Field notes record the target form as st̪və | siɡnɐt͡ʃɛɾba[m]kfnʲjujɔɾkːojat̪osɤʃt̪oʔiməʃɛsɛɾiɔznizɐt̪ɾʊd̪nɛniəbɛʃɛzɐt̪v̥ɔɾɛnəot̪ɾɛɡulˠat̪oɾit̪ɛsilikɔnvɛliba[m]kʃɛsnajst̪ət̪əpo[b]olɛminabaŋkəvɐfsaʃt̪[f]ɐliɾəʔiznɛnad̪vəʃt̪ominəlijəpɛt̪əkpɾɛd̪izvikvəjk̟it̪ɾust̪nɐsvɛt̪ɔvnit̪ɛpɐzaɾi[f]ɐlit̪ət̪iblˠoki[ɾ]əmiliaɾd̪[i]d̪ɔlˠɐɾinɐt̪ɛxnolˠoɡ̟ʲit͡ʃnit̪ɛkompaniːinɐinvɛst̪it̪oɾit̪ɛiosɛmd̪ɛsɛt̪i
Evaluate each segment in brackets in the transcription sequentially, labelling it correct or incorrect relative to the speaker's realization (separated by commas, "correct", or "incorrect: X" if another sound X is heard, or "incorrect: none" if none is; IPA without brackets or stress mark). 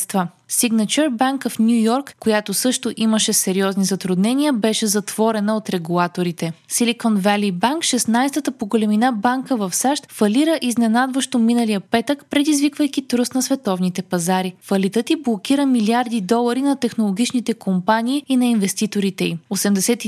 incorrect: ŋ, incorrect: ŋ, incorrect: ɡ, correct, correct, correct, correct